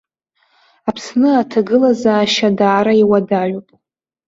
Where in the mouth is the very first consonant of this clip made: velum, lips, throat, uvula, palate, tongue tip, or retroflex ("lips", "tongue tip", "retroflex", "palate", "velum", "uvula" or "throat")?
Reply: lips